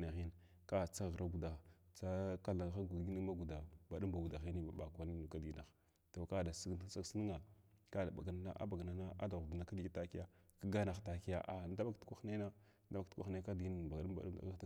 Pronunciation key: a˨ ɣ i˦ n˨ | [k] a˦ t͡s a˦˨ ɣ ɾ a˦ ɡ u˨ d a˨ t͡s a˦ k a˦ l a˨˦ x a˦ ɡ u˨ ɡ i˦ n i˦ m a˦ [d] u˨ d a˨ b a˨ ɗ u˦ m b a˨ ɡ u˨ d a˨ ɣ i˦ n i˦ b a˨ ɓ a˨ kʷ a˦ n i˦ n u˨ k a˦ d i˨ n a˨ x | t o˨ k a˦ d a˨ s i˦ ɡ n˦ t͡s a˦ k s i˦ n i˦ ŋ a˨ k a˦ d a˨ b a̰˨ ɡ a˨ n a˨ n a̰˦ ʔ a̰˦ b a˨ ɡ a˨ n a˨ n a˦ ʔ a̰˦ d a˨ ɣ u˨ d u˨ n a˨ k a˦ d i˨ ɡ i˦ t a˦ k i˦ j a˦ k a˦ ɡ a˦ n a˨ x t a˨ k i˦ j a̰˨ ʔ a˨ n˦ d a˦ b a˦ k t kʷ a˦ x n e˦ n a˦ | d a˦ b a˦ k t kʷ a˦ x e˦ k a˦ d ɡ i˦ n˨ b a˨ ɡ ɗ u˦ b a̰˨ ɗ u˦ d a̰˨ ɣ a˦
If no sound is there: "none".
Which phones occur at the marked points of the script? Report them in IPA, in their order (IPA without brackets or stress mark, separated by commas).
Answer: k, ɡ